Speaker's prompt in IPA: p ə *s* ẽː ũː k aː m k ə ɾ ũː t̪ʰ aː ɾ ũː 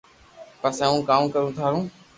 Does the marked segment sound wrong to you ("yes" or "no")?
no